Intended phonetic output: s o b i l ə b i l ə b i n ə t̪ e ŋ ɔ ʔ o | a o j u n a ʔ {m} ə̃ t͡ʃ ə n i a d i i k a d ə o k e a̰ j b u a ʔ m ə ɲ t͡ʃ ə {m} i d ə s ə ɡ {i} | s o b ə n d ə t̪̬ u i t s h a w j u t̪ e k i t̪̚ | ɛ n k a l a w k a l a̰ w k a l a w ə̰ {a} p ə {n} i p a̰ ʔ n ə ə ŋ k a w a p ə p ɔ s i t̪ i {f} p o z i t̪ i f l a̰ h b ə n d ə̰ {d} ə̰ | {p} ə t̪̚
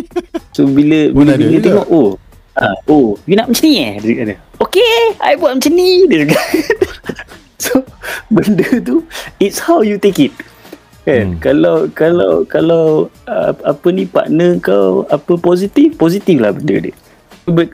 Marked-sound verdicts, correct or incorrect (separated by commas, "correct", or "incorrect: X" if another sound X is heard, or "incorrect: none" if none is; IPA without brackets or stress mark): correct, incorrect: n, incorrect: a, correct, correct, correct, correct, incorrect: b